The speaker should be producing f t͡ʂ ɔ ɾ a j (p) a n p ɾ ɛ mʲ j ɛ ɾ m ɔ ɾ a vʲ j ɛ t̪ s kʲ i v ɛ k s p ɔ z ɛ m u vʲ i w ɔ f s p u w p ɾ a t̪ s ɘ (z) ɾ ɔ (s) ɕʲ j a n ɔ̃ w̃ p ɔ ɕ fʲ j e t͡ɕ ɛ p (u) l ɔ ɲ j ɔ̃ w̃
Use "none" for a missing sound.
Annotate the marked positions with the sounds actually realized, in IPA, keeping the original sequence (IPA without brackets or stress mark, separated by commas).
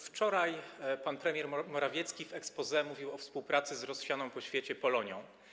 p, z, s, ɔ